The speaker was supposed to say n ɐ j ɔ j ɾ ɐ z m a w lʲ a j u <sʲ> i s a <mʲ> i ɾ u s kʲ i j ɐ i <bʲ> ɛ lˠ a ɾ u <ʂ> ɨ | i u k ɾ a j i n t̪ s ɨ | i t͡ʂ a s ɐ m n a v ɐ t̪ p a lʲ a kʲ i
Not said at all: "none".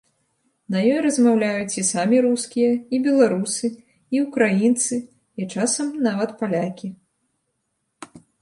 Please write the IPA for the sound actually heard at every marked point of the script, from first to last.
t͡sʲ, mʲ, bʲ, s

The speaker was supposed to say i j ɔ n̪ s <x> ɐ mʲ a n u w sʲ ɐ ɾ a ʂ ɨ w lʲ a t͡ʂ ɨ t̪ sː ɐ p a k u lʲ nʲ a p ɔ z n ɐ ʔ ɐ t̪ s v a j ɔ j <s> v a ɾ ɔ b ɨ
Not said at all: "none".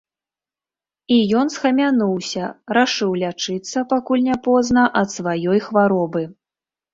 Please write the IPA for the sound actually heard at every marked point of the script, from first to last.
x, x

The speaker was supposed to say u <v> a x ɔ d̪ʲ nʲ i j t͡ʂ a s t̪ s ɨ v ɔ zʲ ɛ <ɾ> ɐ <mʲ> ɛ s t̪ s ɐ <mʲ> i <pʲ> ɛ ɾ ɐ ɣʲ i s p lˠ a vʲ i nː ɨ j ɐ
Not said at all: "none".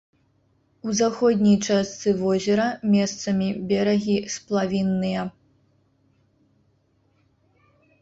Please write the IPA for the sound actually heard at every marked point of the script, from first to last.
z, ɾ, mʲ, mʲ, bʲ

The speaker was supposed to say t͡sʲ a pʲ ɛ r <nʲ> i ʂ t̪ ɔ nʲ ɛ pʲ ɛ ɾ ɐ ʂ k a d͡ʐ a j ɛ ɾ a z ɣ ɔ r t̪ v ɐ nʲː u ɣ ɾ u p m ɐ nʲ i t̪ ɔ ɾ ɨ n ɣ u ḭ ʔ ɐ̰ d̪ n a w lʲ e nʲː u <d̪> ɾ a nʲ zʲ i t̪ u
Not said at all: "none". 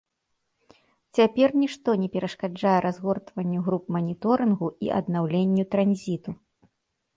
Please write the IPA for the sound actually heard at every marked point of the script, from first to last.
nʲ, t̪

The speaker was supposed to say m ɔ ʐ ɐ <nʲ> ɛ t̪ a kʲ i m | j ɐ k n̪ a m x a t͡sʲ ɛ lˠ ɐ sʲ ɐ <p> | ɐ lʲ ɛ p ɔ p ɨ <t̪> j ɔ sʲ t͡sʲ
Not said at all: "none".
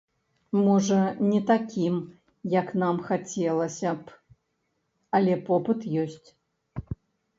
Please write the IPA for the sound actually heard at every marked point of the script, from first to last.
nʲ, p, t̪

